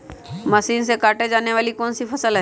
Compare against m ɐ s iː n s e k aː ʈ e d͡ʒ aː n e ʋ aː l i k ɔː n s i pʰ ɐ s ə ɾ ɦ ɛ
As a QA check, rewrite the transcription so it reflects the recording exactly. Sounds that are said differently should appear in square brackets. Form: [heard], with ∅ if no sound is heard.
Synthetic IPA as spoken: m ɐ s iː n s e k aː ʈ e d͡ʒ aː n e ʋ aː l i k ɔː n s i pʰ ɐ s ə [l] ɦ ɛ